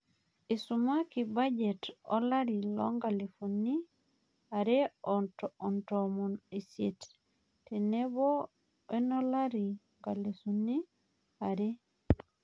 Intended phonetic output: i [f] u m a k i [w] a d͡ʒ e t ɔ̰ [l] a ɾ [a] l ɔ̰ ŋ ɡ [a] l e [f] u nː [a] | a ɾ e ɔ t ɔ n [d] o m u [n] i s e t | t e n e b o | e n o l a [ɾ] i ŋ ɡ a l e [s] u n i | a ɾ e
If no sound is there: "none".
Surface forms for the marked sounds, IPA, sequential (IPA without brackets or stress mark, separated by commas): s, b, l, i, a, f, i, t, n, ɾ, s